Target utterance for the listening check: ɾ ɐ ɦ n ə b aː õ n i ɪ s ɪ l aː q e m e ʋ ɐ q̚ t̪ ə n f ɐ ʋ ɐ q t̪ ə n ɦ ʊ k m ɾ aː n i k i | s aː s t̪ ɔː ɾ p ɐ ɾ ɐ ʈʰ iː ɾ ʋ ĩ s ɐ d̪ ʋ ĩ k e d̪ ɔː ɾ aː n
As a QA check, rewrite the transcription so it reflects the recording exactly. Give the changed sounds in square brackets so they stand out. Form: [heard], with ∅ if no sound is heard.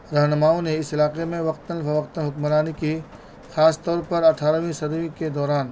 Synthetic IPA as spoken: ɾ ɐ ɦ n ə [m] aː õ n [e] ɪ s ɪ l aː q e m [ẽ] ʋ ɐ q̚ t̪ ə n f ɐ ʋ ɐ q t̪ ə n ɦ ʊ k m ɾ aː n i k i | [x] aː s t̪ ɔː ɾ p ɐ ɾ ɐ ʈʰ [aː] ɾ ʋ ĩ s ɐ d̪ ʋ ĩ k e d̪ ɔː ɾ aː n

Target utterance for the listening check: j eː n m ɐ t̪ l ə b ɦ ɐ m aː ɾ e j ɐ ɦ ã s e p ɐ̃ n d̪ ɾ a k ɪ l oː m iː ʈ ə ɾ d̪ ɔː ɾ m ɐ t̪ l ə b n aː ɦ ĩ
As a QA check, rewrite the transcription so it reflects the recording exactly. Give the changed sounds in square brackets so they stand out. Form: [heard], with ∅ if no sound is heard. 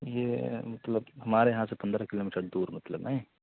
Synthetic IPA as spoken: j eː [∅] m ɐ t̪ l ə b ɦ ɐ m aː ɾ e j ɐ ɦ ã s e p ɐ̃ n d̪ ɾ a k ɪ l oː m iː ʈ ə ɾ d̪ [uː] ɾ m ɐ t̪ l ə b n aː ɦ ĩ

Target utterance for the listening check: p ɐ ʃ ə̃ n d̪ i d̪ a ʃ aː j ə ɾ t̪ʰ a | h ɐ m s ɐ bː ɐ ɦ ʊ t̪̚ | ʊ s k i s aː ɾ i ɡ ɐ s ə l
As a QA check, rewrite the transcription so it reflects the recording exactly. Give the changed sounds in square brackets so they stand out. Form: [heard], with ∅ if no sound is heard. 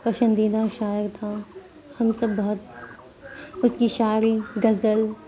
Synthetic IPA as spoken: p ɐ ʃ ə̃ n d̪ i d̪ a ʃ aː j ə ɾ t̪ʰ a | h ɐ m s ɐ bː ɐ ɦ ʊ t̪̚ | ʊ s k i [ʃ] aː ɾ i ɡ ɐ [z] ə l

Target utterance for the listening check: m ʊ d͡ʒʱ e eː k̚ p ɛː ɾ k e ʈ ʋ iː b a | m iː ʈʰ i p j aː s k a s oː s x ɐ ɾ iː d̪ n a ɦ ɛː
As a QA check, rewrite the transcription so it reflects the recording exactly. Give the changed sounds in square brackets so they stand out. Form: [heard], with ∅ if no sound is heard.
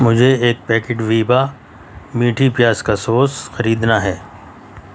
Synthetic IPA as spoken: m ʊ d͡ʒʱ e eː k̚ p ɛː [∅] k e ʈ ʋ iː b a | m iː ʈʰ i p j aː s k a s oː s x ɐ ɾ iː d̪ n a ɦ ɛː

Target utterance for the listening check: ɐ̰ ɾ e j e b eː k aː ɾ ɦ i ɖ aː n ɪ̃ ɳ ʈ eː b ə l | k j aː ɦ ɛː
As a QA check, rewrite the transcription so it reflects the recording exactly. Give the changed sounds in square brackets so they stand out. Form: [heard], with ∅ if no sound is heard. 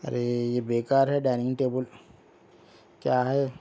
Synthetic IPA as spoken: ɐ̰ ɾ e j e b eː k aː ɾ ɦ [ɛ] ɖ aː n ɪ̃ [ŋ] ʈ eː b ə l | k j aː ɦ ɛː

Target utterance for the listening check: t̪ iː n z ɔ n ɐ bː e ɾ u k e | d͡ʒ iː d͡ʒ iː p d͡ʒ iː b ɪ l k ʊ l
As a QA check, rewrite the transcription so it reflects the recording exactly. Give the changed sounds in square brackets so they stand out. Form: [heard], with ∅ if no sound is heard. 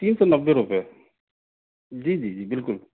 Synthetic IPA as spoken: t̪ iː n [s] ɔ n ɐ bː e ɾ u [p] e | d͡ʒ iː d͡ʒ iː [∅] d͡ʒ iː b ɪ l k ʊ l

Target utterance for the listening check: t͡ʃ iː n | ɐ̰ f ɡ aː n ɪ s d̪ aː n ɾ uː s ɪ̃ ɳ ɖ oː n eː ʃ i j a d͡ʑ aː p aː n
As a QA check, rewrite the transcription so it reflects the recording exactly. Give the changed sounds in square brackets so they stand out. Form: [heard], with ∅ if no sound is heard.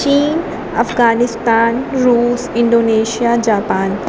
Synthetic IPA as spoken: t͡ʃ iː n | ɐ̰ f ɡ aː n ɪ s [t̪] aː n ɾ uː s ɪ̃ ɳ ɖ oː n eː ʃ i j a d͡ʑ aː p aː n

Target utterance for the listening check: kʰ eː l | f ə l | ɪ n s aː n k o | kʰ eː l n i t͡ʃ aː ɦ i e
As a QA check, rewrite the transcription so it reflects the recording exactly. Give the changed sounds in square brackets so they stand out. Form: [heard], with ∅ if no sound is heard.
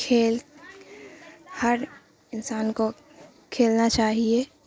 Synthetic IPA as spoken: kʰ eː l | [h] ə [ɾ] | ɪ n s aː n k o | kʰ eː l n [a] t͡ʃ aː ɦ i e

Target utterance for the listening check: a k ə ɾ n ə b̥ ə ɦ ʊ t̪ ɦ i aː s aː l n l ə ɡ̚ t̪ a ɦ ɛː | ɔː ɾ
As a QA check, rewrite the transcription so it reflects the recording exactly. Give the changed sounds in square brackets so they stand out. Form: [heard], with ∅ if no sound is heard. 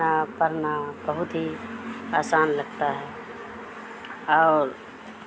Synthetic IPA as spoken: a [p] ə ɾ n [a] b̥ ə ɦ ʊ t̪ ɦ i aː s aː [∅] n l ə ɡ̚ t̪ a ɦ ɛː | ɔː ɾ

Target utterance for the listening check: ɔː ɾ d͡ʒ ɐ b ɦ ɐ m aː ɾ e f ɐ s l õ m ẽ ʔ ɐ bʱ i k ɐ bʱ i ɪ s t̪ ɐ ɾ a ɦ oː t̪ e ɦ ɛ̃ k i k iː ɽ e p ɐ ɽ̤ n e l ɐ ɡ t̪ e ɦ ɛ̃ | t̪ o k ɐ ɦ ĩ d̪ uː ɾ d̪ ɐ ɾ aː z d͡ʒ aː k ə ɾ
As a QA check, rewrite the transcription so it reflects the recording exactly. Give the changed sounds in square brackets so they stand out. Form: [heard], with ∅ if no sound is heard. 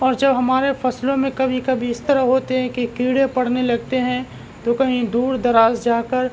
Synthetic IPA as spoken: ɔː ɾ d͡ʒ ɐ b ɦ ɐ m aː ɾ e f ɐ s l õ m ẽ [k] ɐ bʱ i k ɐ bʱ i ɪ s t̪ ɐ ɾ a ɦ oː t̪ e ɦ ɛ̃ k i k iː ɽ e p ɐ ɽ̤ n e l ɐ ɡ t̪ e ɦ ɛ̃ | t̪ o k ɐ ɦ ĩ d̪ uː ɾ d̪ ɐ ɾ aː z d͡ʒ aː k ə ɾ

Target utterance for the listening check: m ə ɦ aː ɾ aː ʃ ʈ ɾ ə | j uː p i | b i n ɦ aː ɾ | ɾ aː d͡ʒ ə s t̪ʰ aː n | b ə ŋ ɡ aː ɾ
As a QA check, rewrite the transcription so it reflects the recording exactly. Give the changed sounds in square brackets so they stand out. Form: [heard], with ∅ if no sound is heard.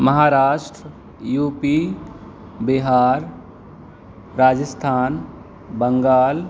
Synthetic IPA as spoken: m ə ɦ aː ɾ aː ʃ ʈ ɾ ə | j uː p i | b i [∅] ɦ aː ɾ | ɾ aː d͡ʒ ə s t̪ʰ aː n | b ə ŋ ɡ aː [l]

